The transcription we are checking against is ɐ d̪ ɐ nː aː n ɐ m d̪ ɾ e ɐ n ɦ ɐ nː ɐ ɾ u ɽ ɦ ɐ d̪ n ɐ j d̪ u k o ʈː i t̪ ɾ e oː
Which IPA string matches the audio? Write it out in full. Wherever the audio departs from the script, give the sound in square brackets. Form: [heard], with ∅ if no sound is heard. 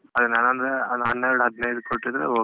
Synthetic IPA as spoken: ɐ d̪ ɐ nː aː n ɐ [n] d̪ ɾ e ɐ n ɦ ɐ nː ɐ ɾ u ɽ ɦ ɐ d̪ n ɐ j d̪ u k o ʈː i [d̪] ɾ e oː